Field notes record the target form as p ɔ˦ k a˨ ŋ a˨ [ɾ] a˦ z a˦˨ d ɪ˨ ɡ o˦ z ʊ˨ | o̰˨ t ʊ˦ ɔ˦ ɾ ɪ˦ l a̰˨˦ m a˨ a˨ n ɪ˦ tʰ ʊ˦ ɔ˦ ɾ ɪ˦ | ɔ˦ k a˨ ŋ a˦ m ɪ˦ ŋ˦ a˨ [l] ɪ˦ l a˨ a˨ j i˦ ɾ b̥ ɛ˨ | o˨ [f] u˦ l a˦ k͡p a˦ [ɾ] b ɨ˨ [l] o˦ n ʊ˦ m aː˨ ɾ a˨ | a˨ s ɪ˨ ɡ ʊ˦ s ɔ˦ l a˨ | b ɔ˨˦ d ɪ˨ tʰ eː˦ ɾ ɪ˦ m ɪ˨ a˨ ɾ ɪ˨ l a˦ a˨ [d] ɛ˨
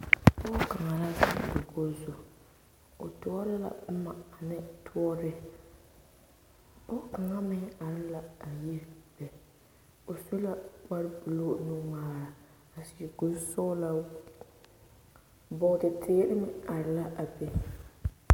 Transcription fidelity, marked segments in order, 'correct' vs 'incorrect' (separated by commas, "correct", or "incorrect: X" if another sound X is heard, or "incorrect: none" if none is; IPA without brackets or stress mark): incorrect: l, incorrect: ɾ, incorrect: s, correct, correct, incorrect: b